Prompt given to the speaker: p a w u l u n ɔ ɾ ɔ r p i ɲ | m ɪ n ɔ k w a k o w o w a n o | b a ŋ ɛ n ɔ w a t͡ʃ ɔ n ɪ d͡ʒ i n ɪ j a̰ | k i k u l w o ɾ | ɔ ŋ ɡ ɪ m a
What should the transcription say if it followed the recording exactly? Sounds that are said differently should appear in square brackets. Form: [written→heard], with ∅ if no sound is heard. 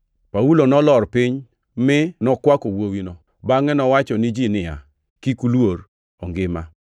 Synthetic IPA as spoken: p a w u l [u→o] n ɔ [ɾ→l] ɔ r p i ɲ | m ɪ n ɔ k w a k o w o w [a→i] n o | b a ŋ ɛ n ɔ w a t͡ʃ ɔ n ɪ d͡ʒ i n ɪ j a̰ | k i k u l w o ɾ | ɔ ŋ ɡ ɪ m a